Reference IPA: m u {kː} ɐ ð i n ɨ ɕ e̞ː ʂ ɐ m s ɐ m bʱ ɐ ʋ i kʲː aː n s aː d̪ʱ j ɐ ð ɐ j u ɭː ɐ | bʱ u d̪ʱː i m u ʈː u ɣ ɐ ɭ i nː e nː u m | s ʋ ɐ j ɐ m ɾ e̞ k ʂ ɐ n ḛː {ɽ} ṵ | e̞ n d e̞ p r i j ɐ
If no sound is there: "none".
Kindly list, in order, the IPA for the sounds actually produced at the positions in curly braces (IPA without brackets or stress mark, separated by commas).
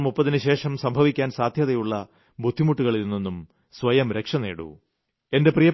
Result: pː, ɽ